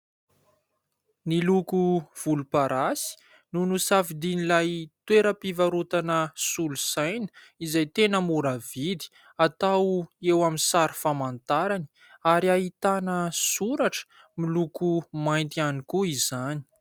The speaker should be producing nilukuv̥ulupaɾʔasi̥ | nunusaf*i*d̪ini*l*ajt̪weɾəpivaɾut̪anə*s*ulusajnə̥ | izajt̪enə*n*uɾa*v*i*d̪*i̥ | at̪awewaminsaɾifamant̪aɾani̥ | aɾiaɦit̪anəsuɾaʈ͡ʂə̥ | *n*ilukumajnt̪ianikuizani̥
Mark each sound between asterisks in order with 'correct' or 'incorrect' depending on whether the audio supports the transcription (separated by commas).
correct, correct, correct, incorrect, correct, correct, incorrect